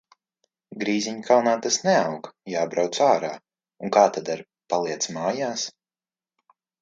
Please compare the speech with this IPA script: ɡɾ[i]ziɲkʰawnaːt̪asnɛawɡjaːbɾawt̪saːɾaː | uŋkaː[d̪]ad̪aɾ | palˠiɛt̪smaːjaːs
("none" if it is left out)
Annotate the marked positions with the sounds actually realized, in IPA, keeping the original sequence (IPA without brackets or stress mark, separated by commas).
iː, t̪